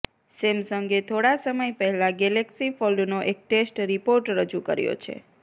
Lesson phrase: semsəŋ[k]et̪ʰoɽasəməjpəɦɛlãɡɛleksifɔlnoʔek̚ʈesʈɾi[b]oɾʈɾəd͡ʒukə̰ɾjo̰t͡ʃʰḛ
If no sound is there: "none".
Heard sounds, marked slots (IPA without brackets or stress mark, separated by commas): ɡ, p